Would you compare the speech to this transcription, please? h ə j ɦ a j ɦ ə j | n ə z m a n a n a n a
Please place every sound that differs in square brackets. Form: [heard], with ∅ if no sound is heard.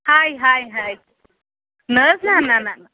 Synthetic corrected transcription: h [a] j ɦ a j ɦ [a] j | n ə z [n] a n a n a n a